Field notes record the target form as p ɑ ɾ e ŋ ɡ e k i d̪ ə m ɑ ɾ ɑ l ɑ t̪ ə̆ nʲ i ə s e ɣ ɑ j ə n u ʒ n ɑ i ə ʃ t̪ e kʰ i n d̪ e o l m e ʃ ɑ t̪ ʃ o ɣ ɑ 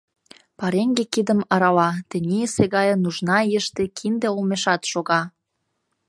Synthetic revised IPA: p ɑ ɾ e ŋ ɡ e k i d̪ ə m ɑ ɾ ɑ l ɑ t̪ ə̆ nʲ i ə s e ɣ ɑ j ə n u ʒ n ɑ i ə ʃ t̪ e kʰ i n d̪ e o l m e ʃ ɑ t̪ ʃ o ɣ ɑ